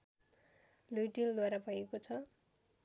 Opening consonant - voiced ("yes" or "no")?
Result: yes